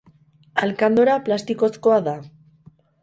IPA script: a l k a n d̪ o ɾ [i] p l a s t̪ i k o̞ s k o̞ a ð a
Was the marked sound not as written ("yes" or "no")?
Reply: yes